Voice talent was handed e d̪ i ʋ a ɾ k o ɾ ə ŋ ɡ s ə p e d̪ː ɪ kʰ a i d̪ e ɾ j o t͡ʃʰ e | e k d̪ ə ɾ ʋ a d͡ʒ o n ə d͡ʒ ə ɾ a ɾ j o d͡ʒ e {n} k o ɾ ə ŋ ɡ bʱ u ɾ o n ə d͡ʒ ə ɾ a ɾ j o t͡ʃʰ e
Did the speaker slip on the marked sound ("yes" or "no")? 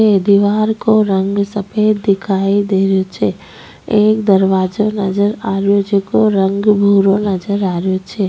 yes